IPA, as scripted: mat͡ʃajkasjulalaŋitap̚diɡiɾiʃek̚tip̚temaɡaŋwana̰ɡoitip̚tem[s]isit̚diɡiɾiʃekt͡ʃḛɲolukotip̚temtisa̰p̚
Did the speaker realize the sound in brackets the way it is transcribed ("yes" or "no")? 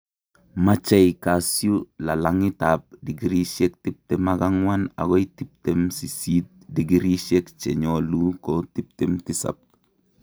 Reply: yes